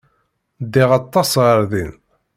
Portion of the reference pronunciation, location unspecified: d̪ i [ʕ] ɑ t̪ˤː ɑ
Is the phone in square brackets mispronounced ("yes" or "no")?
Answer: yes